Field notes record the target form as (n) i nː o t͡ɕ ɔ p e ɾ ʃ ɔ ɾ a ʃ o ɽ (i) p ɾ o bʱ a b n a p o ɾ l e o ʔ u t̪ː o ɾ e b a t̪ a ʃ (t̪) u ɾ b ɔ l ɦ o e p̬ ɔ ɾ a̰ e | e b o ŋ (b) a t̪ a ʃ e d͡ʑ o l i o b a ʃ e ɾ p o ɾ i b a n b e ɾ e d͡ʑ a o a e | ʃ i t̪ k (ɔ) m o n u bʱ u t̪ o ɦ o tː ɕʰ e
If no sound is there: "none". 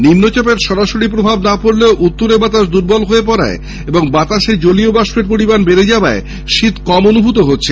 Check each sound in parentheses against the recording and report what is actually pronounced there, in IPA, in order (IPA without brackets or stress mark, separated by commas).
n, i, d̪, b, ɔ